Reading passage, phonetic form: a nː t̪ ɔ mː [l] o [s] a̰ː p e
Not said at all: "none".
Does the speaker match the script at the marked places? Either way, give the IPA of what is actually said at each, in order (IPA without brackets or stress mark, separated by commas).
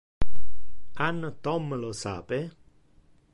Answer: l, s